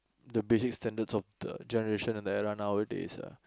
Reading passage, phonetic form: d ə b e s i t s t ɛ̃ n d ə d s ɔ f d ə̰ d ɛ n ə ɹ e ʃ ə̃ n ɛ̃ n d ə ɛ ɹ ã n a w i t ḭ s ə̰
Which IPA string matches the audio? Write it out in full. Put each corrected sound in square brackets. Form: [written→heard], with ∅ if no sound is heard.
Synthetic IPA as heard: d ə b e s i [t→k] s t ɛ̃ n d ə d s ɔ f d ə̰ [d→d͡ʒ] ɛ n ə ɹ e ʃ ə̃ n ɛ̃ n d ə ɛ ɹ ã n a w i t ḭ s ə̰